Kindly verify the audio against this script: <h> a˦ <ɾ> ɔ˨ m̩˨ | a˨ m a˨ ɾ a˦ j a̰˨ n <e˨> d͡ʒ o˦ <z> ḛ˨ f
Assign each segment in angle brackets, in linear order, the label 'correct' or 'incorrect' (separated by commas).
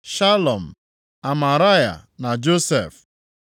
incorrect, incorrect, incorrect, incorrect